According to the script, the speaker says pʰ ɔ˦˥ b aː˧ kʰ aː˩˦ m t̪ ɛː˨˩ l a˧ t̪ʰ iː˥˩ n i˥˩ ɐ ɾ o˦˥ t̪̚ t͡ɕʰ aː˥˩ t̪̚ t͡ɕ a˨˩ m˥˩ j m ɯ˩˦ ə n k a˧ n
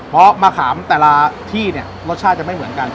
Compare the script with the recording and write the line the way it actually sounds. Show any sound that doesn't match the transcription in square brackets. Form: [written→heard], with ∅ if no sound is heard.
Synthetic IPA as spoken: pʰ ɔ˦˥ [b→m] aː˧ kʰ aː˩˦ m t̪ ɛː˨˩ l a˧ t̪ʰ iː˥˩ n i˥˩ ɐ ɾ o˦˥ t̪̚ t͡ɕʰ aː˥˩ t̪̚ t͡ɕ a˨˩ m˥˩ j m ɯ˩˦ ə n k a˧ n